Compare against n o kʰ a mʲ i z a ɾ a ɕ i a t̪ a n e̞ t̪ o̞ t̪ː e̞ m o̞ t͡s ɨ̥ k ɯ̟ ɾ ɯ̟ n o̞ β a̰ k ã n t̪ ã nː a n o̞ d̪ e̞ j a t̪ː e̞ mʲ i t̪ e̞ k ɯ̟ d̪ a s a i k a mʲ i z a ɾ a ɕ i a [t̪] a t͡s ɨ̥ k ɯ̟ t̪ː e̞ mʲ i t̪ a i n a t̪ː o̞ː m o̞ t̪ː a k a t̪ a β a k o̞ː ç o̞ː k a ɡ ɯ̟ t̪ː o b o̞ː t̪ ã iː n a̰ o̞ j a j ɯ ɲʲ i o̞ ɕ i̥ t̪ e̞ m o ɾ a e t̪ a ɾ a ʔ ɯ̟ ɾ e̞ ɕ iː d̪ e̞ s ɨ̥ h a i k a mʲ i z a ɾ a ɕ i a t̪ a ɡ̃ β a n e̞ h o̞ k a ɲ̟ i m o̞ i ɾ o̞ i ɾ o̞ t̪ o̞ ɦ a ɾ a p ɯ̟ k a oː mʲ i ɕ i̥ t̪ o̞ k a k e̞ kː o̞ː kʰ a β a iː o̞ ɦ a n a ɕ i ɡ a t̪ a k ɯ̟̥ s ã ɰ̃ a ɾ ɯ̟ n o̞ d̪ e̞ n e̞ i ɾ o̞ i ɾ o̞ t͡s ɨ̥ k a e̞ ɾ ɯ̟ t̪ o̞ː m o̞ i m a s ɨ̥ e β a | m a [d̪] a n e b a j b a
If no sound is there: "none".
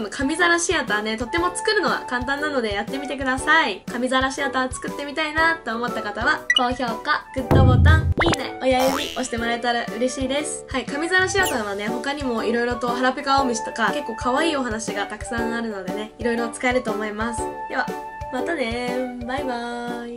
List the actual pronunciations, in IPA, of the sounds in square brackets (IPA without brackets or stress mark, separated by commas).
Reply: t̪, t̪